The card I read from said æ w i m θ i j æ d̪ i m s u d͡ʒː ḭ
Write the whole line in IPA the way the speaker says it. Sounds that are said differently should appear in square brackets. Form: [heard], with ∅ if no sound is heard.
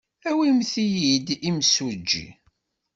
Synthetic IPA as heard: æ w i m θ i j [i] d̪ i m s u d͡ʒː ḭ